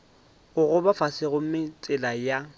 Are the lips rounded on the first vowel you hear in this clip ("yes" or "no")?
yes